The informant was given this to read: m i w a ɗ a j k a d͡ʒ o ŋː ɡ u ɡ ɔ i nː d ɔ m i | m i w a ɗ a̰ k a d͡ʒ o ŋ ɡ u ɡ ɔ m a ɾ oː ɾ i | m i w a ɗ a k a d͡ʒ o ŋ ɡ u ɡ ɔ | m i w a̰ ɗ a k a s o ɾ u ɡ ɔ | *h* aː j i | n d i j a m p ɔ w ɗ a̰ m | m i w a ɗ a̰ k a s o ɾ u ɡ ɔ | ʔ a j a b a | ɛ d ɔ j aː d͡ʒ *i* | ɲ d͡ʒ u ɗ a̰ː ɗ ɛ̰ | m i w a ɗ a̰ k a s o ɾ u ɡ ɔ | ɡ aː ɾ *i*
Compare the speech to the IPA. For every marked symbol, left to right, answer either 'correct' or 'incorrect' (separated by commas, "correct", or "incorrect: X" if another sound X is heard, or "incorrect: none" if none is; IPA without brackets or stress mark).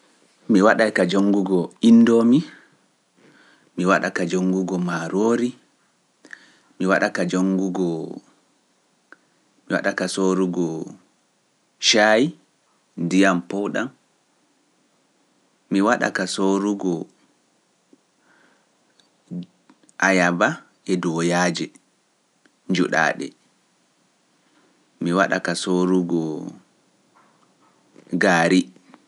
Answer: incorrect: ʃ, incorrect: ɛ, correct